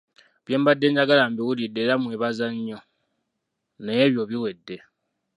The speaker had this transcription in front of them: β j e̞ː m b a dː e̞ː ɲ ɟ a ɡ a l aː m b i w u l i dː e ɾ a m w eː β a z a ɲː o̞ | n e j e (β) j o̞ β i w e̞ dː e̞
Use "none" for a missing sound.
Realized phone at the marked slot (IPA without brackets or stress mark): β